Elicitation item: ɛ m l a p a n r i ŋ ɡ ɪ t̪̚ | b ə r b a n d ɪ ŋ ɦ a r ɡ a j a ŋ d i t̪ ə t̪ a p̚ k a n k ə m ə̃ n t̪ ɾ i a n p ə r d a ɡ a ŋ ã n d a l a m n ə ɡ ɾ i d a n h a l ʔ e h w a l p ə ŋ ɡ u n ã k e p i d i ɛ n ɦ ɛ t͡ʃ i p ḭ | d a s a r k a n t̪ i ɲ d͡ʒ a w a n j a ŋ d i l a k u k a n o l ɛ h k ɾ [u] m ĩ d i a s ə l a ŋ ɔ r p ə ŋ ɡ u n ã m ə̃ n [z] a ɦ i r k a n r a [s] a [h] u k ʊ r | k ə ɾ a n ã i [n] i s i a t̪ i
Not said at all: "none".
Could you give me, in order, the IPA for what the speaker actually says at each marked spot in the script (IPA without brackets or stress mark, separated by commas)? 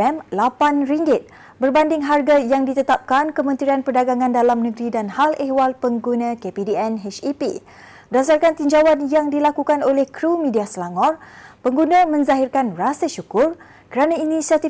u, z, s, ʃ, n